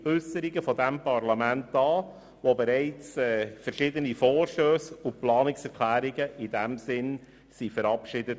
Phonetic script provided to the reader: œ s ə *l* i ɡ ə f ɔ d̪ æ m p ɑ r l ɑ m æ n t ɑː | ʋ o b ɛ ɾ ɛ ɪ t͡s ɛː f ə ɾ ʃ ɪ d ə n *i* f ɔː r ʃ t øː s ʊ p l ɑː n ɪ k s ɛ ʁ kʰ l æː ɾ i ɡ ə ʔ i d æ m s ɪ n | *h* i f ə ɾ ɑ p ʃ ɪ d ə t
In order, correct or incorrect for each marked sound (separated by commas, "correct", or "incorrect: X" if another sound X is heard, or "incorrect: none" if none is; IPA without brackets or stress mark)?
incorrect: ɾ, correct, incorrect: s